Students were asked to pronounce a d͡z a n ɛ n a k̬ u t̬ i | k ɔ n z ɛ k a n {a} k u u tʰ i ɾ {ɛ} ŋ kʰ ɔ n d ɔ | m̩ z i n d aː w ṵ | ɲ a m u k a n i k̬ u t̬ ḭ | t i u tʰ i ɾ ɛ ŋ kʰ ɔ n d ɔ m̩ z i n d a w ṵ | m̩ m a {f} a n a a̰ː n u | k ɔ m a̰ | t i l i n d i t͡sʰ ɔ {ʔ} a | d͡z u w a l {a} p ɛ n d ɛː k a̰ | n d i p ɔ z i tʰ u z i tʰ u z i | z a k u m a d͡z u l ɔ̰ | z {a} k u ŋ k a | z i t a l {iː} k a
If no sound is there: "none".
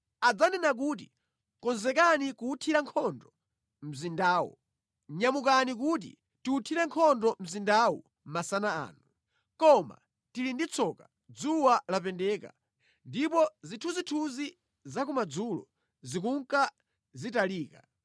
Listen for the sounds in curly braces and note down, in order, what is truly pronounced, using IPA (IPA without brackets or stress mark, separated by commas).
i, a, s, k, a, i, iː